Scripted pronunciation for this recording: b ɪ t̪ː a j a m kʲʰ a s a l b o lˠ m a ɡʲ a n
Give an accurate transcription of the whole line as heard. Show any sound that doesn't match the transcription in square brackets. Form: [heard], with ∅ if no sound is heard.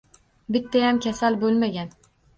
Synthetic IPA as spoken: b ɪ t̪ː a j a m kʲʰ a s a l b o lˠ m a ɡʲ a n